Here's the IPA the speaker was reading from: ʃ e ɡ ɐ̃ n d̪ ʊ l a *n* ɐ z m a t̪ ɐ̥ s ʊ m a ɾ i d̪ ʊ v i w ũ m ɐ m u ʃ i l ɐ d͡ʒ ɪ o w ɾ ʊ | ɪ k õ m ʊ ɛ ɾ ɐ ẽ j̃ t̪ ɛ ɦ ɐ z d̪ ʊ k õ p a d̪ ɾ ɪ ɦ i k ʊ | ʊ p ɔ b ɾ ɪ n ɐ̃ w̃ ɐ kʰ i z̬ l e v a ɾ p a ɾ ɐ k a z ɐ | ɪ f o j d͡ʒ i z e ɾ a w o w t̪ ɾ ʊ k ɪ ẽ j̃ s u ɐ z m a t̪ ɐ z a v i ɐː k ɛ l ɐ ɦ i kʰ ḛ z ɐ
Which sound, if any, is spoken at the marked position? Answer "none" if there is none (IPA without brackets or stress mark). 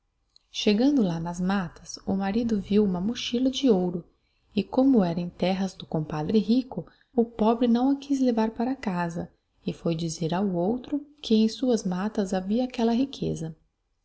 n